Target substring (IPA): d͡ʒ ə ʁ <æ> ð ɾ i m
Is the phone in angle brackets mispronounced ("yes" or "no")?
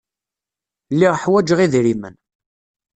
yes